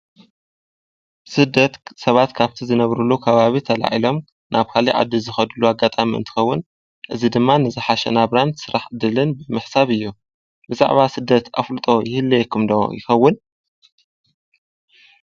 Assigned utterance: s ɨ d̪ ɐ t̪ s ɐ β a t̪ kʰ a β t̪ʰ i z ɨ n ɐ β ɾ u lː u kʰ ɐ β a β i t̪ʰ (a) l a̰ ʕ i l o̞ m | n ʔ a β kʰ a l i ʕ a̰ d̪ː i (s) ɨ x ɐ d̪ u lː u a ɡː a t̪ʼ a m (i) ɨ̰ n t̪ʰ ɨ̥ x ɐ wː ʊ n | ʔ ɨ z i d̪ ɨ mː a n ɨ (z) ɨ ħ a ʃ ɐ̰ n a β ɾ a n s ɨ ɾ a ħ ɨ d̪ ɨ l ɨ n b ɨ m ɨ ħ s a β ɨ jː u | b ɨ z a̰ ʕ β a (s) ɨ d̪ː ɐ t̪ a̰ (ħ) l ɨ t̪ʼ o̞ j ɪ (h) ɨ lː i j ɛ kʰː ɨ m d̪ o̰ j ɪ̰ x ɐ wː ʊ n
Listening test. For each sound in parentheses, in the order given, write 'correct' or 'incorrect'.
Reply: incorrect: ɐ, incorrect: z, correct, correct, correct, incorrect: f, correct

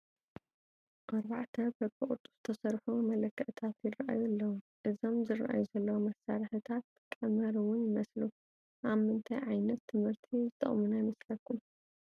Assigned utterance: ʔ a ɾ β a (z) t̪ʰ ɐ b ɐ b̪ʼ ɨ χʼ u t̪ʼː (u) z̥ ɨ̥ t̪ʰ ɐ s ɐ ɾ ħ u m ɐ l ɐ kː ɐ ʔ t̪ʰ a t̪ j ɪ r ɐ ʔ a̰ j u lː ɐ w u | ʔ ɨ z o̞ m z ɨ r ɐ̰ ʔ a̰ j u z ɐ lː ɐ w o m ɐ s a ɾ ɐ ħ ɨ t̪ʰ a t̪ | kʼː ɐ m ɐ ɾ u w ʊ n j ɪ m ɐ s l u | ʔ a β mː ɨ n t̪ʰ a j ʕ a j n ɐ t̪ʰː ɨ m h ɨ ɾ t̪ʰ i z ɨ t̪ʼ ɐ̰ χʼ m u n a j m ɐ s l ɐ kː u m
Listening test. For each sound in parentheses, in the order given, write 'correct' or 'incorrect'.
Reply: incorrect: ʕ, correct

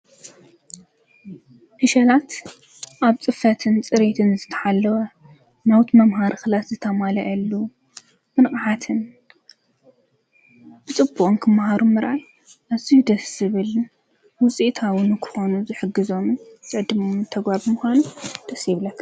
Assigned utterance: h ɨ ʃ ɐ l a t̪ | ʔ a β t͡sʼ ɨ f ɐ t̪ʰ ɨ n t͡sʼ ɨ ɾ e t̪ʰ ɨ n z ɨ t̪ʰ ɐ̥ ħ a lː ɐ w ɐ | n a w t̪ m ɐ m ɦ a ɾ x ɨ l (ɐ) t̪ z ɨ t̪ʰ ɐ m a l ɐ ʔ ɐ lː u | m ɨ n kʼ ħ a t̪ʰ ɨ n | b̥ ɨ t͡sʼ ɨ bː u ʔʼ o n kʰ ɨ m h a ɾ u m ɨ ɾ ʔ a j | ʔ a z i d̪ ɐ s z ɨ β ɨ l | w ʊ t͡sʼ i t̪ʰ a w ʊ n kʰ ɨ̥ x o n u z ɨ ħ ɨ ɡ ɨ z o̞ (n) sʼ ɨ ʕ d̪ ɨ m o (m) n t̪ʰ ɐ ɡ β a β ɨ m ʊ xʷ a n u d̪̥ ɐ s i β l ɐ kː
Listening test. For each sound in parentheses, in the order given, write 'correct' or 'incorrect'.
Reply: incorrect: a, incorrect: m, correct

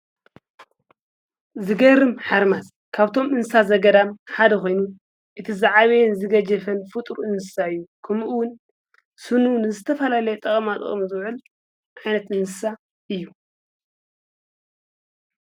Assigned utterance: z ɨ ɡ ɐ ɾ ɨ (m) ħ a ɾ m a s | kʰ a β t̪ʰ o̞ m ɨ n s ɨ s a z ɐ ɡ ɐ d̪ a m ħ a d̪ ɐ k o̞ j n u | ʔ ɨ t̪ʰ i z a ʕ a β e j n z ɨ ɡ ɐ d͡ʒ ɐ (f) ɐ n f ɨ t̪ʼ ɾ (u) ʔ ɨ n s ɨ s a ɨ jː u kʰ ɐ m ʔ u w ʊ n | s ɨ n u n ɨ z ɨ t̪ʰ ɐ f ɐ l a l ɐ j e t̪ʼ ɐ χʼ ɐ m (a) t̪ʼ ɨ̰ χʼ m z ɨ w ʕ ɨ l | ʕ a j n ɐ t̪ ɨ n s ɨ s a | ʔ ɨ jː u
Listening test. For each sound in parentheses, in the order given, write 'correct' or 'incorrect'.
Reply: correct, correct, correct, correct

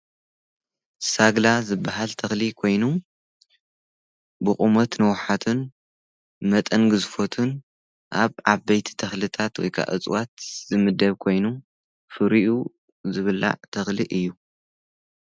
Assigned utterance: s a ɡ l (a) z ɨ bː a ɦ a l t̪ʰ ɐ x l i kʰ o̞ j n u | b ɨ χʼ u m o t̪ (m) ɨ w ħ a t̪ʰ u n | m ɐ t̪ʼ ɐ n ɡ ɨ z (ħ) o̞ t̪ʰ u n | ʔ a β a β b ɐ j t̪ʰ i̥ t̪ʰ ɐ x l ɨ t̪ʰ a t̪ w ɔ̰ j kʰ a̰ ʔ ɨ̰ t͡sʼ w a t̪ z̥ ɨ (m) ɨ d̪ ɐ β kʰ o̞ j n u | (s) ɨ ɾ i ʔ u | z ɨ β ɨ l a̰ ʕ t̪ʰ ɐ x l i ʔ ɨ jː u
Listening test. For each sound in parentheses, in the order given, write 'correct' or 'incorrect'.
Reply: correct, incorrect: n, incorrect: f, correct, incorrect: f

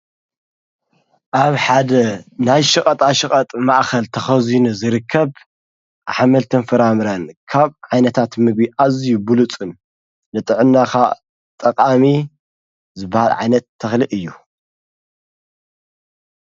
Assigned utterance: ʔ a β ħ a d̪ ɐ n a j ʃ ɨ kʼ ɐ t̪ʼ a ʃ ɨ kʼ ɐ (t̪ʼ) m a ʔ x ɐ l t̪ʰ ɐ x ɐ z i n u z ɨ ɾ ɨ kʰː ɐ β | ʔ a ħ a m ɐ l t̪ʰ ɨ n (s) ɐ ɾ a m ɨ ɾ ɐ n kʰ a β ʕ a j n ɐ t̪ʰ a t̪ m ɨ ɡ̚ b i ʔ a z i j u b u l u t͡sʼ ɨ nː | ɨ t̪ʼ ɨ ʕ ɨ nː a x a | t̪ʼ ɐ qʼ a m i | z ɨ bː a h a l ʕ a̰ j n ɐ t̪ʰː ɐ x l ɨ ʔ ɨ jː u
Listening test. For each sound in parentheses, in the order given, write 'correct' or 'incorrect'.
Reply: correct, incorrect: f

